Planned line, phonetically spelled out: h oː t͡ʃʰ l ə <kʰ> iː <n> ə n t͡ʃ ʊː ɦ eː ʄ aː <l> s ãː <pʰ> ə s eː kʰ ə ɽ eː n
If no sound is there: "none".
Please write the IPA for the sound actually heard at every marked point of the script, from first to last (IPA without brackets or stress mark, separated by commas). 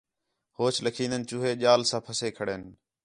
kʰ, n, l, pʰ